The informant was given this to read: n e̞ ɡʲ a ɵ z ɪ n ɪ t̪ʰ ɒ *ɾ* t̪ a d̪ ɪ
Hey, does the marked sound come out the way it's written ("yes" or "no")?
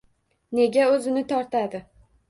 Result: yes